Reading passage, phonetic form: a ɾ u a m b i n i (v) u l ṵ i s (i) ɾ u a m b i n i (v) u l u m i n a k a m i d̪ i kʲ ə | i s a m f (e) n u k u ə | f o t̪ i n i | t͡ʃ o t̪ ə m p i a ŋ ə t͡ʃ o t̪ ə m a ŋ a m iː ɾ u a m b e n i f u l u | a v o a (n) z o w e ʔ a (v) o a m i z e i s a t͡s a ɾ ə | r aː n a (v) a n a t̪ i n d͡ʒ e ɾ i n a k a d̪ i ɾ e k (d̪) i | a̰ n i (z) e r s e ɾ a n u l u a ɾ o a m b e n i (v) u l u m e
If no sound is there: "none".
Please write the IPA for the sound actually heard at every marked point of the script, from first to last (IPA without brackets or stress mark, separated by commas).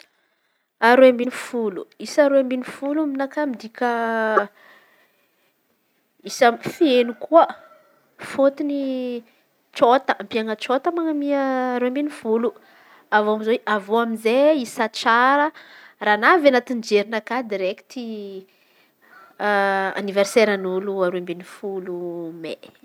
f, a, f, e, m, v, v, t̪, v, f